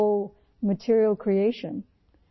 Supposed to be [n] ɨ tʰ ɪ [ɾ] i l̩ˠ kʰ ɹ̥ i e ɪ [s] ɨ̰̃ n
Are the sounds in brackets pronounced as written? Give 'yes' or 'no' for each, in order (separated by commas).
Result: no, no, no